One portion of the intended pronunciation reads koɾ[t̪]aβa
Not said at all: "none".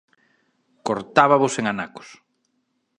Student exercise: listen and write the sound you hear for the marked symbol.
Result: t̪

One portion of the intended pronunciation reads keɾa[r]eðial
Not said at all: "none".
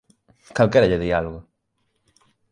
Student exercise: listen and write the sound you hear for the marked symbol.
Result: ʎ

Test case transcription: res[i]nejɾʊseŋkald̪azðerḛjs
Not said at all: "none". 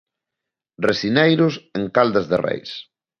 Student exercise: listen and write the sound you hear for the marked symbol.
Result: i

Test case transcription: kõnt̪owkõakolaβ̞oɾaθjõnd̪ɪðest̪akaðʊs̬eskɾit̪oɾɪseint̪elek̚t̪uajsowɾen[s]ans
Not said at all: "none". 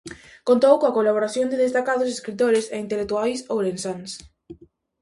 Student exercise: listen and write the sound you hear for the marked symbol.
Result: s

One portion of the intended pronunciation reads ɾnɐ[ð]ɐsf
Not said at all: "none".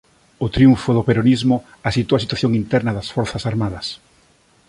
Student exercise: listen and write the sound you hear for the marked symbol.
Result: ð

